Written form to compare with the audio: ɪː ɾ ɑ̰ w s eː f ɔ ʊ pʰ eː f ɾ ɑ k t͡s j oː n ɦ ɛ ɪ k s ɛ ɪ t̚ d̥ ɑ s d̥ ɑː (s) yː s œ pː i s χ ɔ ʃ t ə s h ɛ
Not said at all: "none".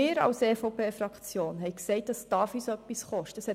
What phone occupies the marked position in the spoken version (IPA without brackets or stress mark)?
f